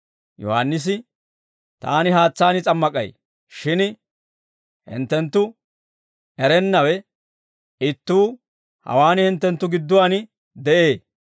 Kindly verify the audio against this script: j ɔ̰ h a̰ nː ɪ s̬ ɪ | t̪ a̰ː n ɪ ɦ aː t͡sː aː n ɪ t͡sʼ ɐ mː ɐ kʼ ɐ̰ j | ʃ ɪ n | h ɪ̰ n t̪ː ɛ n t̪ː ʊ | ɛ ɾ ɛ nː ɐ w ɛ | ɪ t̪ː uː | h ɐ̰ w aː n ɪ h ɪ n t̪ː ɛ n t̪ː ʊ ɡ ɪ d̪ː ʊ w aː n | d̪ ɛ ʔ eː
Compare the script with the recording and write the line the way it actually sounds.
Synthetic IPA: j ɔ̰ h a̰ nː ɪ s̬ ɪ | t̪ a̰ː n ɪ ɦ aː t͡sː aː n ɪ t͡sʼ ɐ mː ɐ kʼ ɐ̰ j | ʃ ɪ n | h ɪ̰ n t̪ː ɛ n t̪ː ʊ | ɛ ɾ ɛ nː ɐ w ɛ | ɪ t̪ː uː | h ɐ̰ w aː n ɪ h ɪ n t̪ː ɛ n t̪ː ʊ ɡ ɪ d̪ː ʊ w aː n | d̪ ɛ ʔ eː